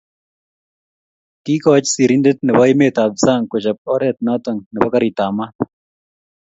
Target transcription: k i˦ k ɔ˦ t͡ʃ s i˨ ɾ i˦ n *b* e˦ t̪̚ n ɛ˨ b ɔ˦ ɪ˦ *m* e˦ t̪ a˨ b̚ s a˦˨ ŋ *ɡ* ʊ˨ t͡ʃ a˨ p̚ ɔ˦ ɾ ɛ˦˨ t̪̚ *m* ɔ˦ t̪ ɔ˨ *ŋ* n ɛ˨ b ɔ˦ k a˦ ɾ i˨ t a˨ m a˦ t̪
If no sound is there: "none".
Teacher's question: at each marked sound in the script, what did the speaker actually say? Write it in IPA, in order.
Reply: d, m, k, n, ŋ

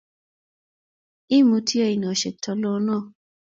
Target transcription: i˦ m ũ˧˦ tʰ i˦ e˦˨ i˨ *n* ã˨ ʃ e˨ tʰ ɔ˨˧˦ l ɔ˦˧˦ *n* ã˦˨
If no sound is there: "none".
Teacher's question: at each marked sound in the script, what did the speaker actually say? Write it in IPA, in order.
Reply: n, n

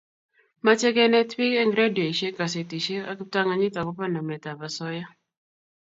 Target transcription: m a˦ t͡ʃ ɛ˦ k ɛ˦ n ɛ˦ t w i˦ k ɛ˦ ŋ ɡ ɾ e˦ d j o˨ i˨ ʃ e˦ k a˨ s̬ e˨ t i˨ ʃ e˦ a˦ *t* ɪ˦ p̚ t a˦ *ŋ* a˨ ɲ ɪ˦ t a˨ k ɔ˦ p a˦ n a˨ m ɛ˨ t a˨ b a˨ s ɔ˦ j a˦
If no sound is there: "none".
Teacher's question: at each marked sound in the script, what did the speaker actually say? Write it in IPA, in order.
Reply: k, ŋ

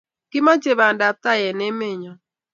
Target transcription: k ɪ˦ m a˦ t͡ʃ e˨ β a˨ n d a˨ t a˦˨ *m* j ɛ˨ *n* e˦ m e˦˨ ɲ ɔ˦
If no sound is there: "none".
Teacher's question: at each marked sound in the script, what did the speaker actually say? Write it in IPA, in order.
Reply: none, n

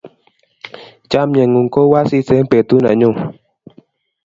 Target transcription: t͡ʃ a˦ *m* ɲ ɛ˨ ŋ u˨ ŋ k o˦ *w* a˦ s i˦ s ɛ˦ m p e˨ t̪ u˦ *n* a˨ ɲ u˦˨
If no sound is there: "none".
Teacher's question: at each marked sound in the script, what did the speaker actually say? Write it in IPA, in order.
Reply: m, w, n

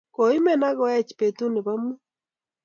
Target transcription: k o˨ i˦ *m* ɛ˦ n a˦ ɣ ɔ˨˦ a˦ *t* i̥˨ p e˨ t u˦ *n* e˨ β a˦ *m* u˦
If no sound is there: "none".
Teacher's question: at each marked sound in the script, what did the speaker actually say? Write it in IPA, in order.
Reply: m, t͡ʃ, n, m

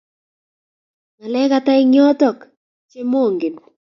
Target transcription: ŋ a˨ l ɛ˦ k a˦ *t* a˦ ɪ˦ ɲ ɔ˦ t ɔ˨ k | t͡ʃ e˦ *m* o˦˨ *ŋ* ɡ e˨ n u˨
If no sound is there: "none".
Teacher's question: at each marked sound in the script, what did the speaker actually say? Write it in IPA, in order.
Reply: t, m, ŋ

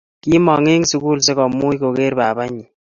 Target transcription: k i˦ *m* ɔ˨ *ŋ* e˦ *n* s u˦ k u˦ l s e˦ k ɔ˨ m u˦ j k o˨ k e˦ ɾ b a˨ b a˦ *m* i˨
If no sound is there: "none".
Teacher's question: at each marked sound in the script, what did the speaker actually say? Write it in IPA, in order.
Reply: m, ŋ, ŋ, ɲ

